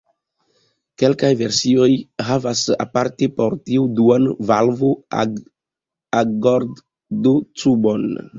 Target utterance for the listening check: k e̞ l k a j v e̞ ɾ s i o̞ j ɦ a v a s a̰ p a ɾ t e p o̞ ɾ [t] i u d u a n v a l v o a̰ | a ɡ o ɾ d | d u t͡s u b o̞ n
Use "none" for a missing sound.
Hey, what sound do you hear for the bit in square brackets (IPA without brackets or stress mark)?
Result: t